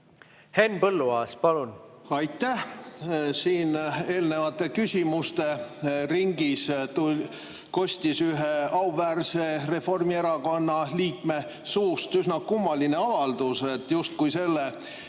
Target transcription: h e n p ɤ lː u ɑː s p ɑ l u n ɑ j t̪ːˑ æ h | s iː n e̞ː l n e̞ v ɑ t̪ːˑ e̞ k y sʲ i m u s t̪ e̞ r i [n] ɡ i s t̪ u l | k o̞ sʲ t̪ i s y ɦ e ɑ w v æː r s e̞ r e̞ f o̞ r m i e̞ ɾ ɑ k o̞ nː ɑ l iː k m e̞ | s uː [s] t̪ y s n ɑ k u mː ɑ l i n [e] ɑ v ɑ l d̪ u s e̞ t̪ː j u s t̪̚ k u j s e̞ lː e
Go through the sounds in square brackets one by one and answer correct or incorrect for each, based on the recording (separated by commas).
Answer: incorrect, correct, correct